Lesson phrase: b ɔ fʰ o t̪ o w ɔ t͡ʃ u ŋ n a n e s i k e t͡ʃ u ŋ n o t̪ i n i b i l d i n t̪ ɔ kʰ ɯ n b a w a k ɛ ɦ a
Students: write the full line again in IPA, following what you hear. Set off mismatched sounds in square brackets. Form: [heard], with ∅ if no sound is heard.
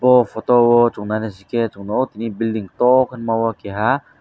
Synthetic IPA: b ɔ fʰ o t̪ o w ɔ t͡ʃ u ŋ n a n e s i k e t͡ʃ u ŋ n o t̪ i n i b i l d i [ŋ] t̪ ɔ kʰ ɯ n [m] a w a k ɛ ɦ a